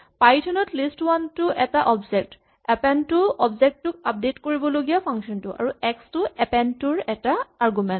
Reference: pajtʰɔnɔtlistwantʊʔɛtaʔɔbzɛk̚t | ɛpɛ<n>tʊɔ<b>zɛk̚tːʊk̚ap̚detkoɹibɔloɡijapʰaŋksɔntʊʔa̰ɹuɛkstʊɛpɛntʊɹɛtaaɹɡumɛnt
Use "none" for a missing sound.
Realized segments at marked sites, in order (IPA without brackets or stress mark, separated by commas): n, b